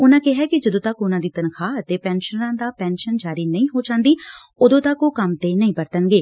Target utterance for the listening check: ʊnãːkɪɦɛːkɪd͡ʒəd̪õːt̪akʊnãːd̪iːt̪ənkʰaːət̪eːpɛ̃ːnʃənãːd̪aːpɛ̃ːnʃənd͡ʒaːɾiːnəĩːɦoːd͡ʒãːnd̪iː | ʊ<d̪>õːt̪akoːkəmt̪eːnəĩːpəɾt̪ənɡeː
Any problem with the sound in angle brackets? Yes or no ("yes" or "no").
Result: no